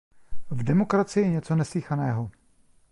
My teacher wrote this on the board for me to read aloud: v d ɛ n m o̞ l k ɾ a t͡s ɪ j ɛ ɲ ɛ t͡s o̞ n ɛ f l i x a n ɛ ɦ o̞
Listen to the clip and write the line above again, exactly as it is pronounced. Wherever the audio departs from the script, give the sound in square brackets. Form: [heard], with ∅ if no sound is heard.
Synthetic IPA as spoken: v d ɛ [∅] m o̞ [∅] k ɾ a t͡s ɪ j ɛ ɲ ɛ t͡s o̞ n ɛ [s] l i x a n [ɛː] ɦ o̞